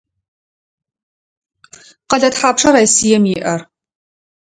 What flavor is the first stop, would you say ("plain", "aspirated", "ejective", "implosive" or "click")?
plain